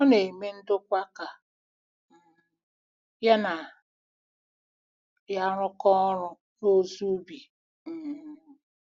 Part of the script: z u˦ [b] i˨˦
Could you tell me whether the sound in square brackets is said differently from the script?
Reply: no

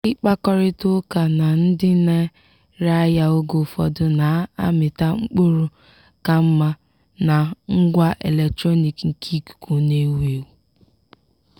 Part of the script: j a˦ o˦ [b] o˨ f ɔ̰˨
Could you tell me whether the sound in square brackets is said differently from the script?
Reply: yes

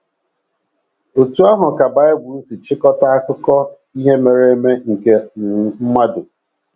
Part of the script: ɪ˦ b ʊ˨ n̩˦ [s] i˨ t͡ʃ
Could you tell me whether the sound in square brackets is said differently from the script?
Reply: no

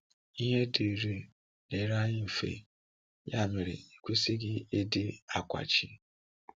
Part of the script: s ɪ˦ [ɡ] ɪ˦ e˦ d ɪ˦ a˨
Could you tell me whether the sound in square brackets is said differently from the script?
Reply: no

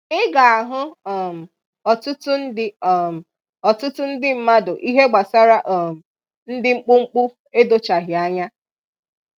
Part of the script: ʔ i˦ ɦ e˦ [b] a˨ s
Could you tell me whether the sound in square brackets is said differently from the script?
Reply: yes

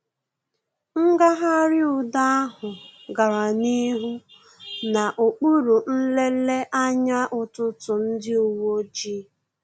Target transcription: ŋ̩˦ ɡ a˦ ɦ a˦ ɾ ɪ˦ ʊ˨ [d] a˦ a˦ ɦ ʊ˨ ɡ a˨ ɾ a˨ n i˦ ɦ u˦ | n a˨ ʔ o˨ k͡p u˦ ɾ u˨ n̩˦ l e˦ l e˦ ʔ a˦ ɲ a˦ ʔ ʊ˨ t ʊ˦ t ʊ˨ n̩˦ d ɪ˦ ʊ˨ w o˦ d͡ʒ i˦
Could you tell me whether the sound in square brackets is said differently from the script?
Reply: no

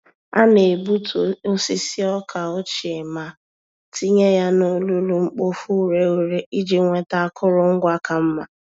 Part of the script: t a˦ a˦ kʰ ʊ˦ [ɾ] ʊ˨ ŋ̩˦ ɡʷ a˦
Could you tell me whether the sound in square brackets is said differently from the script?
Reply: no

